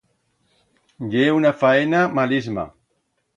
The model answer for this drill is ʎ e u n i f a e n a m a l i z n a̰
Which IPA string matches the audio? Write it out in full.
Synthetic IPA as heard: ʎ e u n a f a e n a m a l i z m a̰